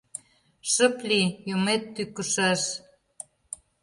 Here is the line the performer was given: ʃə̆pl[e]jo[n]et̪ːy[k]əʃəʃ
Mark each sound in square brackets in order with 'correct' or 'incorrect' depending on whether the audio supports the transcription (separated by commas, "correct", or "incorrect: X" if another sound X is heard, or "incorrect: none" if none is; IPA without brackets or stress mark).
incorrect: i, incorrect: m, correct